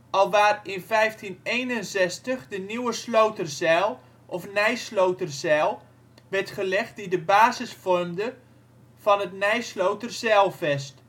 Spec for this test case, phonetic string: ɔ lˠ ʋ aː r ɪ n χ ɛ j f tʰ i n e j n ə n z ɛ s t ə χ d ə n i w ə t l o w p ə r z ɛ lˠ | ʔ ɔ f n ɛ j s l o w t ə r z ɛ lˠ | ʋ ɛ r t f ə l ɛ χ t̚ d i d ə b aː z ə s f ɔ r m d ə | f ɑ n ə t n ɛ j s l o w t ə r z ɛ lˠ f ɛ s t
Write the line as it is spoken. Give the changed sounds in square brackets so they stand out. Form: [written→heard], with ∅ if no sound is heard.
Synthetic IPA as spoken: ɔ lˠ ʋ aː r ɪ n [χ→f] ɛ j f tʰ i n e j n ə n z ɛ s t ə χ d ə n i w ə [t→s] l o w [p→t] ə r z ɛ lˠ | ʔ ɔ f n ɛ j s l o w t ə r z ɛ lˠ | ʋ ɛ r t [f→χ] ə l ɛ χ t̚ d i d ə b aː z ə s f ɔ r m d ə | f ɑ n ə t n ɛ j s l o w t ə r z ɛ lˠ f ɛ s t